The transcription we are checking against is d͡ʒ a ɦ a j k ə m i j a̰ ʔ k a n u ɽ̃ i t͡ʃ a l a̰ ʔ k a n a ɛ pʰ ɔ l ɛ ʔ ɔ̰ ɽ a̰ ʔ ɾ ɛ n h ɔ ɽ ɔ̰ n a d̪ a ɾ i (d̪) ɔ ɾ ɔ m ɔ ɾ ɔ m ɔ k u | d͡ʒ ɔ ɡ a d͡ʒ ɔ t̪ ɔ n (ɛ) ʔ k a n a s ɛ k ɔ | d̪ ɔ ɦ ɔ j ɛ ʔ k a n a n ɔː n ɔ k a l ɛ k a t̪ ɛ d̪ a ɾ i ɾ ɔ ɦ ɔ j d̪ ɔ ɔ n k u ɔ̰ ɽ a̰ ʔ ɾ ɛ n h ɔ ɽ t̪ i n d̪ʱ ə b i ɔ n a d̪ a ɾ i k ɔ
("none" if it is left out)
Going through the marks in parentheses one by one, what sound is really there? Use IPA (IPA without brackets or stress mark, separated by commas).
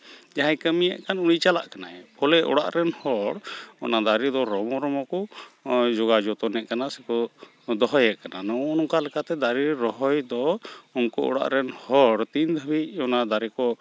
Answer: d̪, ɛ